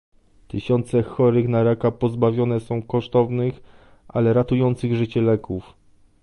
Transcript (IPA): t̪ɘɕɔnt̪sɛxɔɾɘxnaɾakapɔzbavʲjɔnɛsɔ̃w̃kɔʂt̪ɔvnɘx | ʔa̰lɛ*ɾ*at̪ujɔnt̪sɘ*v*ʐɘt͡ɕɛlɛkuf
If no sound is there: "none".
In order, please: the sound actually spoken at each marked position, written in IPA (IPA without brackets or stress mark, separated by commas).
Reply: ɾ, ɣ